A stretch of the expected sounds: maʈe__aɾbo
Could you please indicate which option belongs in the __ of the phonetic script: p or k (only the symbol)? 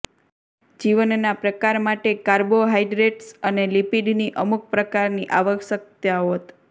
k